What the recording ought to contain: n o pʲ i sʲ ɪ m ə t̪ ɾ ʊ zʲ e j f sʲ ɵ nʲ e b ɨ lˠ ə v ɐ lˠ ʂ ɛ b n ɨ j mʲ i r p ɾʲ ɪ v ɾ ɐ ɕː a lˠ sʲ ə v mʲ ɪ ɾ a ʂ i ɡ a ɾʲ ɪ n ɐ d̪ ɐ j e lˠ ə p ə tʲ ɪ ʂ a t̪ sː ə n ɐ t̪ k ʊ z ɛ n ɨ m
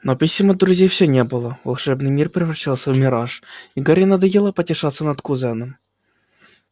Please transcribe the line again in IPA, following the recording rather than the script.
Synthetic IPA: n o pʲ i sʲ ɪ m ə d̪ ɾ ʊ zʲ e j f sʲ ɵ nʲ e b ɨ lˠ ə v ɐ lˠ ʂ ɛ b n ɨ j mʲ i r p ɾʲ ɪ v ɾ ɐ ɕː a lˠ sʲ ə v mʲ ɪ ɾ a ʂ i ɡ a ɾʲ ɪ n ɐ d̪ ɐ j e lˠ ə p ə tʲ ɪ ʂ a t̪ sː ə n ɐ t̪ k ʊ z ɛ n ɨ m